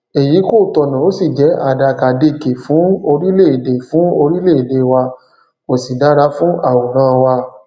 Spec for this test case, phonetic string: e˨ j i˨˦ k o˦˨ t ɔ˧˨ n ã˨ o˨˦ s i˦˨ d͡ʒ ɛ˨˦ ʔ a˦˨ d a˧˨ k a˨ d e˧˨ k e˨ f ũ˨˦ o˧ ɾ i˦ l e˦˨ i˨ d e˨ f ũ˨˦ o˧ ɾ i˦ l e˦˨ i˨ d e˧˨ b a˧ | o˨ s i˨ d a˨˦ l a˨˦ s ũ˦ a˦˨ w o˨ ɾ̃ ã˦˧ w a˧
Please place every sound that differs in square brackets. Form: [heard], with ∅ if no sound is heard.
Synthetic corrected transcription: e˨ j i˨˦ k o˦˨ t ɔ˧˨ n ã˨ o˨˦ s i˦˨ d͡ʒ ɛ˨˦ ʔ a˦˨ d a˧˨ k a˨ d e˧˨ k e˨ f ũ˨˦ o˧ ɾ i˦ l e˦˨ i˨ d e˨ f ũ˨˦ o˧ ɾ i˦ l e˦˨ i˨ d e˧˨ [w] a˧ | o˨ s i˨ d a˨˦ [ɾ] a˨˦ [f] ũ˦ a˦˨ w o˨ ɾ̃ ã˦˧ w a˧